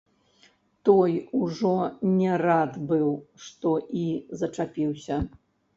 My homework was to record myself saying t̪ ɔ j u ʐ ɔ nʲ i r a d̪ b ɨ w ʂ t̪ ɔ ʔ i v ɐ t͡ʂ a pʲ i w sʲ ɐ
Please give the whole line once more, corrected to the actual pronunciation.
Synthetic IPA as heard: t̪ ɔ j u ʐ ɔ nʲ ɛ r a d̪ b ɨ w ʂ t̪ ɔ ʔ i z ɐ t͡ʂ a pʲ i w sʲ ɐ